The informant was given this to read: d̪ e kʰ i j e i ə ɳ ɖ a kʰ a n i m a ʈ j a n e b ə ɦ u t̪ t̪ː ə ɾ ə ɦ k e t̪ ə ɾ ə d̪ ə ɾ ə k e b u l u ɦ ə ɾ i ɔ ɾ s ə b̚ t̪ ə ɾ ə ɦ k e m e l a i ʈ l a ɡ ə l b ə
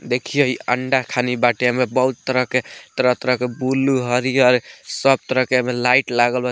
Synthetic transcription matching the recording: d̪ e kʰ i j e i ə ɳ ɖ a kʰ a n i b a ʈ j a m e b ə ɦ u t̪ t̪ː ə ɾ ə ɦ k e t̪ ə ɾ ə t̪ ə ɾ ə k e b u l u ɦ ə ɾ i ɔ ɾ s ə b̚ t̪ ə ɾ ə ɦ k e m e l a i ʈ l a ɡ ə l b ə